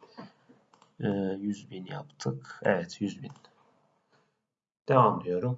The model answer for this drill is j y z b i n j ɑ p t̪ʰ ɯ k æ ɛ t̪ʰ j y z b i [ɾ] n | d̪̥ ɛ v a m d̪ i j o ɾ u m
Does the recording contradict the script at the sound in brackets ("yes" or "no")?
yes